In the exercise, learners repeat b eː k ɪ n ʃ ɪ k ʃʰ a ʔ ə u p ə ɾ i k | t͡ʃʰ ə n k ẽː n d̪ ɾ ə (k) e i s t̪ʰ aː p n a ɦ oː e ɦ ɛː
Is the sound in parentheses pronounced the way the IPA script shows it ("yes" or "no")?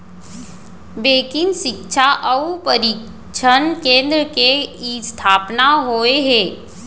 yes